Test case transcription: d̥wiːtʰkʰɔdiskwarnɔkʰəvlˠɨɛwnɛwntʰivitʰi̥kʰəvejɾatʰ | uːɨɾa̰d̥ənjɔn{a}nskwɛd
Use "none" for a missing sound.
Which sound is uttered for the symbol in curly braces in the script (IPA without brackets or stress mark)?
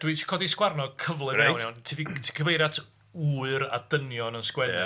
ə